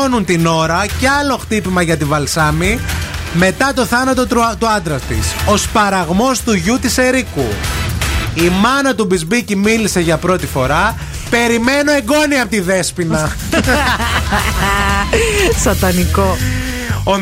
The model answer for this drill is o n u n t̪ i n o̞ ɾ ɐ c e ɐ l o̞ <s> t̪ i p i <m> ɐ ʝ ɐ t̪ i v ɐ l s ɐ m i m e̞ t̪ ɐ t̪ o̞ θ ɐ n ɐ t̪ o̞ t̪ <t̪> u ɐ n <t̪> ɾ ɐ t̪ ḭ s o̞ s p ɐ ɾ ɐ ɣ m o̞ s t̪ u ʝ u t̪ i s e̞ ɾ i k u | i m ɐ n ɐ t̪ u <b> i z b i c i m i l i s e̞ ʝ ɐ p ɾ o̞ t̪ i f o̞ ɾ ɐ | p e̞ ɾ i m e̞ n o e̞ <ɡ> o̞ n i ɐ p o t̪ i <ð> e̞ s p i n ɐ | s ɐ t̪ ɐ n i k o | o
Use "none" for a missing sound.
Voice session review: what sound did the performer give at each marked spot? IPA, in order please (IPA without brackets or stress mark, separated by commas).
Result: x, m, t̪, d̪, b, ɡ, ð